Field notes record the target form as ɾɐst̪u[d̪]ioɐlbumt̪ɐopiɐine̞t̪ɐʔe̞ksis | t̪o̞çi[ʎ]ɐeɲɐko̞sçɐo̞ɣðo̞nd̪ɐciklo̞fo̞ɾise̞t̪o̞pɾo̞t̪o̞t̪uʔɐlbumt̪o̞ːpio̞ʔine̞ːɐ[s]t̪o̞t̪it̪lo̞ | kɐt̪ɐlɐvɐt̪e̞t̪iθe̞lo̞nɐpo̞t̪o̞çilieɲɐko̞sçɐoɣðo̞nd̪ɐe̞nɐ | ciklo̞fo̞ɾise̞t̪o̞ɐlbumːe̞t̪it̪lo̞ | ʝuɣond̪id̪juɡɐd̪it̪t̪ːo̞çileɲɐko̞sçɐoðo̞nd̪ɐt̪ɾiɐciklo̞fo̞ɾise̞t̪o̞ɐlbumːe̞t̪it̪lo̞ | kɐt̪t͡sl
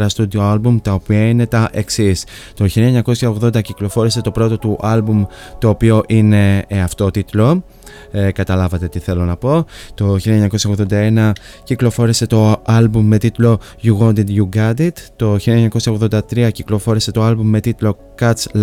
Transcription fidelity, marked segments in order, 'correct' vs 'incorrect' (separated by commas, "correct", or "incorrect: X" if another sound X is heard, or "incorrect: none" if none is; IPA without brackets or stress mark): correct, incorrect: l, incorrect: f